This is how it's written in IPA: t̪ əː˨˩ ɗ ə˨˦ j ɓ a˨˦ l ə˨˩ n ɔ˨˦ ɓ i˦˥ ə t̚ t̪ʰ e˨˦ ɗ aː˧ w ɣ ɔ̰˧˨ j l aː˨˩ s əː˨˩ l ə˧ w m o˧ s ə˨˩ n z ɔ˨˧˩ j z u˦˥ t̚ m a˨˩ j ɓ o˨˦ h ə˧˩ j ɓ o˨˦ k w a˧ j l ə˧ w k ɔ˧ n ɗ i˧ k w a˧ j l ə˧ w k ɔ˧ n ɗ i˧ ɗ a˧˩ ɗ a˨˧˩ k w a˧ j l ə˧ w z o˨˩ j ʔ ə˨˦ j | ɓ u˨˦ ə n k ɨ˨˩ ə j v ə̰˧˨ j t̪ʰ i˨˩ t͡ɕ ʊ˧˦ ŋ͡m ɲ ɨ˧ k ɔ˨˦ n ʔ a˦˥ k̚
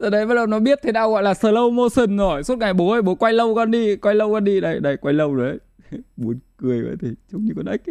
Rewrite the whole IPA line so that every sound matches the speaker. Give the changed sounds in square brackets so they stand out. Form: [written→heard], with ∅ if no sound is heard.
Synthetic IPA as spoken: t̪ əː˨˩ ɗ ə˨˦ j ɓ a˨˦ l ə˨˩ n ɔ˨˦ ɓ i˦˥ ə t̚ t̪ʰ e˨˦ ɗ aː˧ w ɣ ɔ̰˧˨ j l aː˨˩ s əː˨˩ l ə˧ w m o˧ s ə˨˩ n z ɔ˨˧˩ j [z→s] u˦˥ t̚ [m→ŋ] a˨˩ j ɓ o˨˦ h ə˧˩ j ɓ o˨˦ k w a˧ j l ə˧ w k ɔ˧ n ɗ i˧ k w a˧ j l ə˧ w k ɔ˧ n ɗ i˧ ɗ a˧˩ ɗ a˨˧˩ k w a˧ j l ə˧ w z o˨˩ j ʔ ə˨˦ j | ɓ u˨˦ ə n k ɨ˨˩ ə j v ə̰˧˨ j t̪ʰ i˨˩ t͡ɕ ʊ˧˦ ŋ͡m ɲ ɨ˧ k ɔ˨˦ n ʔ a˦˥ k̚